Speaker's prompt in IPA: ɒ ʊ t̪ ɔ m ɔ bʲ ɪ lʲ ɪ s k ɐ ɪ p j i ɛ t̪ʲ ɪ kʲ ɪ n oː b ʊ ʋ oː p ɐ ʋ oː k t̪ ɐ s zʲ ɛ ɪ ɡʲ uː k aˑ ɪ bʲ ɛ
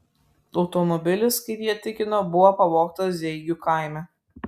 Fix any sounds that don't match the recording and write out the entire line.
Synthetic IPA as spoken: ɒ ʊ t̪ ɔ m ɔ bʲ ɪ lʲ ɪ s k ɐ ɪ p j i ɛ t̪ʲ ɪ kʲ ɪ n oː b ʊ ʋ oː p ɐ ʋ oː k t̪ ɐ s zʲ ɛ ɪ ɡʲ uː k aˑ ɪ mʲ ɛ